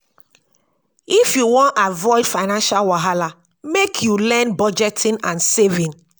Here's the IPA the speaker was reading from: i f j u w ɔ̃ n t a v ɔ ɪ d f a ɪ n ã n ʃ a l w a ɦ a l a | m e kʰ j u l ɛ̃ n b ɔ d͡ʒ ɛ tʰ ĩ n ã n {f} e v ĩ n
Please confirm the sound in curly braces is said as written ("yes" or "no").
no